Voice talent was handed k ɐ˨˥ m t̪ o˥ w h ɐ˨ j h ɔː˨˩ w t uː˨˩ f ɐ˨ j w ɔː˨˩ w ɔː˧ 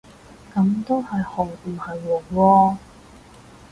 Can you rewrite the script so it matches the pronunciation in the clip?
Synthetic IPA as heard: k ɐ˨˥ m t̪ o˥ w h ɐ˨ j h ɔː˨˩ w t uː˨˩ h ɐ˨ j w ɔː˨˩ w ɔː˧